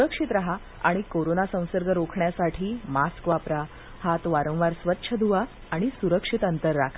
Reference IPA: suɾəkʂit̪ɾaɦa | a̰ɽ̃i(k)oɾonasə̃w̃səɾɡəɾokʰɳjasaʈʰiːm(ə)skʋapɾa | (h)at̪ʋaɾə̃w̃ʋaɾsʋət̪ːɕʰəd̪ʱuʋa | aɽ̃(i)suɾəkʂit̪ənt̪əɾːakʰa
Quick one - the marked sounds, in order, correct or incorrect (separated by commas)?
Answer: correct, incorrect, correct, correct